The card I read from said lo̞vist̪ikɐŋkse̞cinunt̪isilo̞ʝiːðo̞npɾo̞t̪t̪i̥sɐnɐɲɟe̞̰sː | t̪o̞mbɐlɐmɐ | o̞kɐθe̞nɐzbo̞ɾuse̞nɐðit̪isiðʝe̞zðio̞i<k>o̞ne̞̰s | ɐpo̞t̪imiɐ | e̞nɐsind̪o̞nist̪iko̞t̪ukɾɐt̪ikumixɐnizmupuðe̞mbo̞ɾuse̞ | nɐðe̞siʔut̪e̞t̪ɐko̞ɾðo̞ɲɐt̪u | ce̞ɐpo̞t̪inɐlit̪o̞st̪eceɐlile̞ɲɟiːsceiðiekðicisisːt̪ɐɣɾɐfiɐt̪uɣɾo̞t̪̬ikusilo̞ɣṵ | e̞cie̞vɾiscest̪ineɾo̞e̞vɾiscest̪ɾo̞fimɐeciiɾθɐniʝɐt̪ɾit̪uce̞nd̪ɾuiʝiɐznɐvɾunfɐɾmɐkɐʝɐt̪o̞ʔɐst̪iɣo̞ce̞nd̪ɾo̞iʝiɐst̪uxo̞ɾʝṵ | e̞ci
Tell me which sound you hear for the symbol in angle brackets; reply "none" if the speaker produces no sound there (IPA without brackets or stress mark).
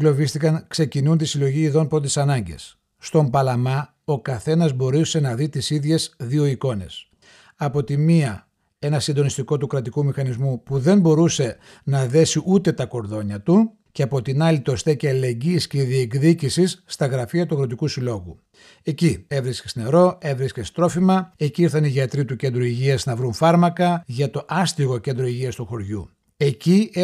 k